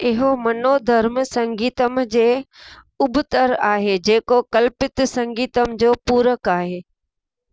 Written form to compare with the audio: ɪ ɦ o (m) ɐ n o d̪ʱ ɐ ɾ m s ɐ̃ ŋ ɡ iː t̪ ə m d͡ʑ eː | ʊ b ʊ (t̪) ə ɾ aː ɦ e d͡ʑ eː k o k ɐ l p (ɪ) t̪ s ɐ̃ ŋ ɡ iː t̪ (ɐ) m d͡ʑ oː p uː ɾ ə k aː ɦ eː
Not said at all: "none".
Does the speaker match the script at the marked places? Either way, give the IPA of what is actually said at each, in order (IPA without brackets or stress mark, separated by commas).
m, t̪, ɪ, ə